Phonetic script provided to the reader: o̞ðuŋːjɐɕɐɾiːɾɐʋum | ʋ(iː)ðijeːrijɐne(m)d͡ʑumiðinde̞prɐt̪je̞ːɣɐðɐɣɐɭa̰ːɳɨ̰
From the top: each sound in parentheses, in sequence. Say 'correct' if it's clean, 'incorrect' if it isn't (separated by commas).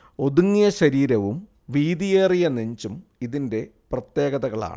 correct, incorrect